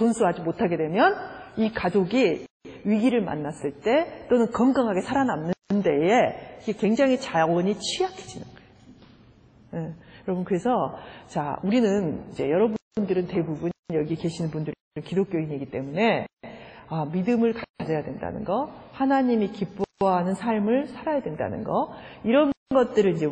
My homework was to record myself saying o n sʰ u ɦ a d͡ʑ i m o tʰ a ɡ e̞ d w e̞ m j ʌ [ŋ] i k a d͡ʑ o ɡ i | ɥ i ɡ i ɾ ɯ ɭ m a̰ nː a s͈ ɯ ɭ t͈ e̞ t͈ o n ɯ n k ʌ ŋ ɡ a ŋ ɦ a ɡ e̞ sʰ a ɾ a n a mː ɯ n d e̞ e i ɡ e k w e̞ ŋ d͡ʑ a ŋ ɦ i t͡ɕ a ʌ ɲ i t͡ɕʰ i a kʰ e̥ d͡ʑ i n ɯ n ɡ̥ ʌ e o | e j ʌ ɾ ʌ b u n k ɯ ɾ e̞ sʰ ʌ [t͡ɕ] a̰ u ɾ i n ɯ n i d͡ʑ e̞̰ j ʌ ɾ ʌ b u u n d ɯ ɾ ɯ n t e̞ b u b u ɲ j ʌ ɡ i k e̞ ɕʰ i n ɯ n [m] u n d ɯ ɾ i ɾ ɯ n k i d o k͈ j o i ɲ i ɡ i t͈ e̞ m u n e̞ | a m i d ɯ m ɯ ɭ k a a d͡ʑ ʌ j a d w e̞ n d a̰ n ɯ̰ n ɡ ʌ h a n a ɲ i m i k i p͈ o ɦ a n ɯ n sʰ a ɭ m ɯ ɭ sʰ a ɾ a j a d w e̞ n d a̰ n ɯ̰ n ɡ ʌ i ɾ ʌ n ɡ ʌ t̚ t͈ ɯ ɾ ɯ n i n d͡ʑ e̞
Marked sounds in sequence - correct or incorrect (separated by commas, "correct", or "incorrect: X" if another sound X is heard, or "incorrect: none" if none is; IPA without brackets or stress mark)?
incorrect: n, correct, incorrect: b